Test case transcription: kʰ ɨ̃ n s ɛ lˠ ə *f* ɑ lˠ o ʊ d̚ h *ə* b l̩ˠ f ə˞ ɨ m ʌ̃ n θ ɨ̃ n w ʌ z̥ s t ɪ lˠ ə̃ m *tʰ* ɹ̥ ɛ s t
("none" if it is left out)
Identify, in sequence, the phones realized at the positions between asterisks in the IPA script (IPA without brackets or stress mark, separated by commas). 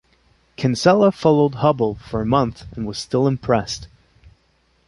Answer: f, ʌ, pʰ